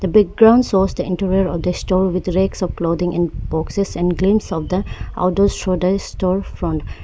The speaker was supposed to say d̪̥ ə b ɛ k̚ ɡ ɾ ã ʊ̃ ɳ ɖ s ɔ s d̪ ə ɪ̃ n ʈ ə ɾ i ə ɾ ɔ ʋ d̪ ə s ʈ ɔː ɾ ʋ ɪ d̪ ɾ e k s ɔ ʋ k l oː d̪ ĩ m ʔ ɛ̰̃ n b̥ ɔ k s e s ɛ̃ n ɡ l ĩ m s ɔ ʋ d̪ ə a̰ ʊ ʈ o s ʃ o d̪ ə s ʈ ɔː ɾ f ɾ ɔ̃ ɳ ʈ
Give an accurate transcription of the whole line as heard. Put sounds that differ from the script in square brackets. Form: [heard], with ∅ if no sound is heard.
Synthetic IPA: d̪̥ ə b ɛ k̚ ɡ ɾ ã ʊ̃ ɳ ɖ s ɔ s d̪ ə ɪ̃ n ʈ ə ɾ i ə ɾ ɔ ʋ d̪ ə s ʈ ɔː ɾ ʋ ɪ d̪ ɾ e k s ɔ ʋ k l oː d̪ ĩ [ŋ] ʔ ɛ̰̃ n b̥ ɔ k s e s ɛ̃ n ɡ l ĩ m s ɔ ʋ d̪ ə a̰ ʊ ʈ o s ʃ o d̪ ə s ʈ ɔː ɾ f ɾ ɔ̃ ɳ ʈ